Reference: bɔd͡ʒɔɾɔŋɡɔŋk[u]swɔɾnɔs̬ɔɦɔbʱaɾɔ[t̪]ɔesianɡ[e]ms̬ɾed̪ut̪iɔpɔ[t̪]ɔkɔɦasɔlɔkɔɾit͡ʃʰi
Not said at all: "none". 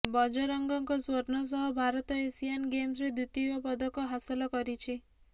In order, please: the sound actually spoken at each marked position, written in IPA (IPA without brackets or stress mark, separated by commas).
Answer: ɔ, t̪, e, d̪